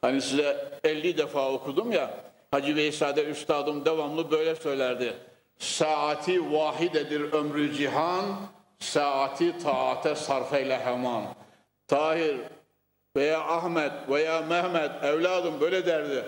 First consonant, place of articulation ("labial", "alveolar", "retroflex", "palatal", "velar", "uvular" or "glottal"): glottal